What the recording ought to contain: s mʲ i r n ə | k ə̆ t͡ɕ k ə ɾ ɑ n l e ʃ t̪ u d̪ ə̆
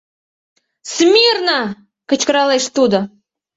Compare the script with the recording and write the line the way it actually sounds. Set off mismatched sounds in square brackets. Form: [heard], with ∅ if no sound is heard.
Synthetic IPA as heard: s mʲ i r n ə | k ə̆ t͡ɕ k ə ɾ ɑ [∅] l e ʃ t̪ u d̪ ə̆